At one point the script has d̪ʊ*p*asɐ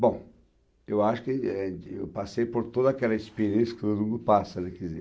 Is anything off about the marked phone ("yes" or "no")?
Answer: no